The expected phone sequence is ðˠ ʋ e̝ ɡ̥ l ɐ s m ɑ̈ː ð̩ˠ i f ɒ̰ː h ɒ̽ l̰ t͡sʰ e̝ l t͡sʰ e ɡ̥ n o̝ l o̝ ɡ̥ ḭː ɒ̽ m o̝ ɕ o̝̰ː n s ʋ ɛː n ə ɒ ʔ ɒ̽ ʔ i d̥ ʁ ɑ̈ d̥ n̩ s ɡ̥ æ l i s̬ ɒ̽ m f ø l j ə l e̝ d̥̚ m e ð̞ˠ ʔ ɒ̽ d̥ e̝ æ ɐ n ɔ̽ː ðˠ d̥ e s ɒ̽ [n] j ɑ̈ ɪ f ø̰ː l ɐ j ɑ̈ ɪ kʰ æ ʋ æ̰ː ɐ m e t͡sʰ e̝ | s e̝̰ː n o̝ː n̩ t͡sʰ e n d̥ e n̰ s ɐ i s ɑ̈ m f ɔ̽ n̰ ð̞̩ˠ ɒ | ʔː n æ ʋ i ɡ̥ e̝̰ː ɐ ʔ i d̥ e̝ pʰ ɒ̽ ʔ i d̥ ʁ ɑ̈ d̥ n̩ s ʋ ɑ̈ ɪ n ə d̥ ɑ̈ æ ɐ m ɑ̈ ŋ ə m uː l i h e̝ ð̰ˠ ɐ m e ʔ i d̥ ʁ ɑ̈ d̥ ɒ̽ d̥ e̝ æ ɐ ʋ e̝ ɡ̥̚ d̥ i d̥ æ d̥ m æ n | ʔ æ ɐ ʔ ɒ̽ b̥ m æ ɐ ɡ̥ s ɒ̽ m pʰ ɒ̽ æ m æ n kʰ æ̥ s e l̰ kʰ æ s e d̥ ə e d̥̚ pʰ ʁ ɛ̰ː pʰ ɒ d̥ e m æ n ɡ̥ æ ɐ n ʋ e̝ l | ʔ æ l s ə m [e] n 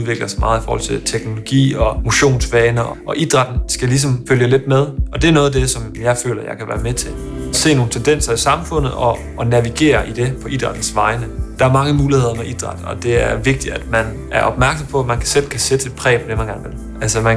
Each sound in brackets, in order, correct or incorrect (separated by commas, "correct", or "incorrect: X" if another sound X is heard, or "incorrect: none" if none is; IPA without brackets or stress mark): incorrect: m, incorrect: æ